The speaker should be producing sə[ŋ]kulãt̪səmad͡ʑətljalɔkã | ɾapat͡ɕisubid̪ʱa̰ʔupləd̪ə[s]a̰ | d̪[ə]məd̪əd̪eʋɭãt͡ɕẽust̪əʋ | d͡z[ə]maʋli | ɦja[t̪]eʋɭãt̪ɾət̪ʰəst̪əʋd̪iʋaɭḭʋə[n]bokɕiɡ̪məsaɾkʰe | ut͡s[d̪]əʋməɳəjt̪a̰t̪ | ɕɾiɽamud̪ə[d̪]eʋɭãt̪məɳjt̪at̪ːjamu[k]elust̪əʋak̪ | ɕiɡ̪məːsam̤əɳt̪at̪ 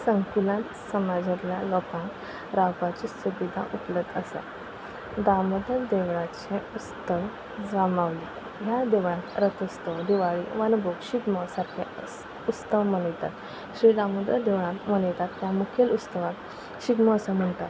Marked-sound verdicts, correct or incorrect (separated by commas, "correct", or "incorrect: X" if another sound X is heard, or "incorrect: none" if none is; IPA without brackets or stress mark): correct, correct, incorrect: a, incorrect: a, incorrect: d̪, correct, incorrect: t̪, correct, incorrect: kʰ